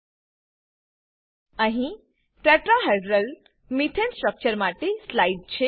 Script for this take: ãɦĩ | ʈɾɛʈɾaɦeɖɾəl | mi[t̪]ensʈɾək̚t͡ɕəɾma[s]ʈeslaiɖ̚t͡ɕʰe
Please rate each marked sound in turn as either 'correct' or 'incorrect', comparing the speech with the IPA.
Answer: incorrect, incorrect

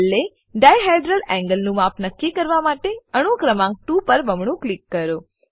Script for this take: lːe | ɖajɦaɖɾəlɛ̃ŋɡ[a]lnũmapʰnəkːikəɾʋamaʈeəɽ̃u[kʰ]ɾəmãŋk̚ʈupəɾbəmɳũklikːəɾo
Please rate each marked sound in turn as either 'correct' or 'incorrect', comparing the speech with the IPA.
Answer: incorrect, incorrect

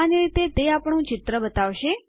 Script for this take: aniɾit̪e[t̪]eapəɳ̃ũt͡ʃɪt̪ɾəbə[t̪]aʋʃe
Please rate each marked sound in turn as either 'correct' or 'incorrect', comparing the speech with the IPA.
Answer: correct, correct

